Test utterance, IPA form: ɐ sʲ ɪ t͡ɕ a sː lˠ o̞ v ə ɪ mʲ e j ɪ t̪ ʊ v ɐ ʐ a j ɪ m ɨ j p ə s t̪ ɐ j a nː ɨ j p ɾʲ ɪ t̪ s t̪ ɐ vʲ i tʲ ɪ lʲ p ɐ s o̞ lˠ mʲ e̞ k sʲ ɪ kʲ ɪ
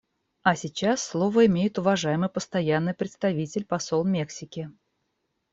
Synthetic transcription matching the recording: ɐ sʲ ɪ t͡ɕ a sː lˠ o̞ v ə ɪ mʲ e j ɪ t̪ ʊ v ɐ ʐ a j ɪ m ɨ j p ə s t̪ ɐ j a nː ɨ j p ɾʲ ɪ t̪ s t̪ ɐ vʲ i tʲ ɪ lʲ p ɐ s o̞ lˠ mʲ e̞ k sʲ ɪ kʲ ɪ